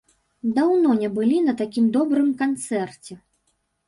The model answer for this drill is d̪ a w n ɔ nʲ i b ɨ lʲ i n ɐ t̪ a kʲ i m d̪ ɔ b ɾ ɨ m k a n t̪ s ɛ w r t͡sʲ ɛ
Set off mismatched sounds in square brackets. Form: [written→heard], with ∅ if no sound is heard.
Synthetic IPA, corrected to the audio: d̪ a w n ɔ nʲ [i→ɛ] b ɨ lʲ i n ɐ t̪ a kʲ i m d̪ ɔ b ɾ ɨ m k a n t̪ s ɛ [w→∅] r t͡sʲ ɛ